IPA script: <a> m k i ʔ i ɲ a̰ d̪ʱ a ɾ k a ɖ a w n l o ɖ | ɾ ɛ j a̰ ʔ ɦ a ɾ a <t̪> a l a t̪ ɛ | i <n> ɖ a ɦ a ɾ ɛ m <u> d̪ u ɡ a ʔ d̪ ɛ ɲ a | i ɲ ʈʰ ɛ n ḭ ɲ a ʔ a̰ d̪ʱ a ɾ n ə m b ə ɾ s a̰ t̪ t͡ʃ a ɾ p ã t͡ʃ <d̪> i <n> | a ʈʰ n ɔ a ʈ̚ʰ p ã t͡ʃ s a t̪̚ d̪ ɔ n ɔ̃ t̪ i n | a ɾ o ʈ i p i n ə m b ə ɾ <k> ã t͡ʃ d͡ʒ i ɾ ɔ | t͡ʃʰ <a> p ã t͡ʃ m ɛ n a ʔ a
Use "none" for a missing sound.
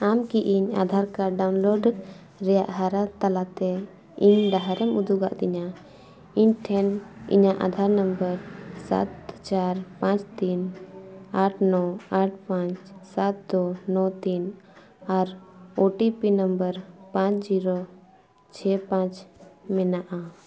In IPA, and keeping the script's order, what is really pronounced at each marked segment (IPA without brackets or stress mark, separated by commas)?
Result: a, t̪, ɲ, u, t̪, n, p, ɛ